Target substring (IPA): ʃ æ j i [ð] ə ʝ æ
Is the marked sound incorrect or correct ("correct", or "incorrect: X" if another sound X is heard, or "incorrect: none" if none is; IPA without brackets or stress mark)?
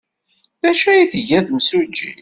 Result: incorrect: θ